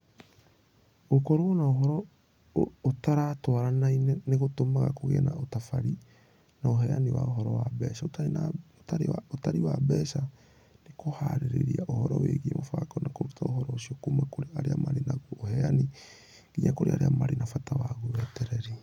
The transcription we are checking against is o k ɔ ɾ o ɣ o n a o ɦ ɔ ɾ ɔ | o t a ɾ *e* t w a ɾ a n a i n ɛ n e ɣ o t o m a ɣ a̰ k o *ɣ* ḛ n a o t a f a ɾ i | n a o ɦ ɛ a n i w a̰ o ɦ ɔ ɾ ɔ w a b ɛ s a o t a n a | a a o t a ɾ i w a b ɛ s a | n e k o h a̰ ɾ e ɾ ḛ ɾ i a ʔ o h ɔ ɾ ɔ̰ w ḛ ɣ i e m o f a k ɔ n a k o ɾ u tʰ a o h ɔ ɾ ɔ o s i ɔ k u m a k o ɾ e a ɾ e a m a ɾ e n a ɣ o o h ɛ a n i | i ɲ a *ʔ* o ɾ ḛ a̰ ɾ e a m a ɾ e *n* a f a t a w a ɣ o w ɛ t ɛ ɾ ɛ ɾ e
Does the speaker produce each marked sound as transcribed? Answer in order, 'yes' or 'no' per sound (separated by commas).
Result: no, yes, no, yes